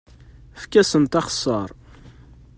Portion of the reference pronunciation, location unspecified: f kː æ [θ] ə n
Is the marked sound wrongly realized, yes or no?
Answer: yes